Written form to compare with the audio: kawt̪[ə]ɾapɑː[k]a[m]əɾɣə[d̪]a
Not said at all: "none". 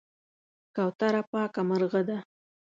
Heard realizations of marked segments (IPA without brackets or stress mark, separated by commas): a, k, m, d̪